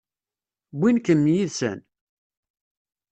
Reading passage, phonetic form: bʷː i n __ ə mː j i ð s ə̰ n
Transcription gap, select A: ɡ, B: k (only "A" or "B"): B